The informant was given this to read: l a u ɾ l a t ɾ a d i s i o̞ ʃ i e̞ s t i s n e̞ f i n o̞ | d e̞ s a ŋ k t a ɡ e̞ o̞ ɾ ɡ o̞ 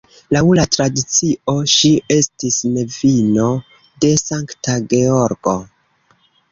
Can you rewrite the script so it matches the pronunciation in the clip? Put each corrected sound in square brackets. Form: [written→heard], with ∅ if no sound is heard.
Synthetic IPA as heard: l a u [ɾ→∅] l a t ɾ a d i [s→t͡s] i o̞ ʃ i e̞ s t i s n e̞ [f→v] i n o̞ | d e̞ s a ŋ k t a ɡ e̞ o̞ ɾ ɡ o̞